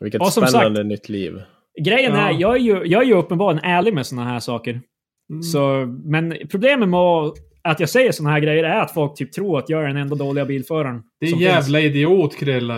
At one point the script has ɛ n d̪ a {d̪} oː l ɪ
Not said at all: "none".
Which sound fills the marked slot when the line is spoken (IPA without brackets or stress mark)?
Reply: d̪